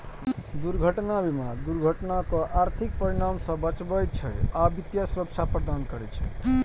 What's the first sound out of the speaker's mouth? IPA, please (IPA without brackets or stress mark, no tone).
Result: d̪